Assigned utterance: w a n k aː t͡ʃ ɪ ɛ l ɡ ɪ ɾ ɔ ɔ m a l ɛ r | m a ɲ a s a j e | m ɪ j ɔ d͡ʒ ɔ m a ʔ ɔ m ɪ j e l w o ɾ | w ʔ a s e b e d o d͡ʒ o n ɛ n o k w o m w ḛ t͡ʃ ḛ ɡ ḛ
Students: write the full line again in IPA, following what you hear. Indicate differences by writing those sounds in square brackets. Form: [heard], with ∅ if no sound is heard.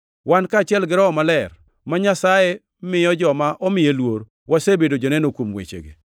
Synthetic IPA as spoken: w a n k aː t͡ʃ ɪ ɛ l ɡ ɪ ɾ ɔ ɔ m a l ɛ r | m a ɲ a s a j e | m ɪ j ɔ d͡ʒ ɔ m a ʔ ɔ m ɪ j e l w o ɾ | w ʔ a s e b e d o d͡ʒ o n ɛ n o k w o m w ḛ t͡ʃ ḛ ɡ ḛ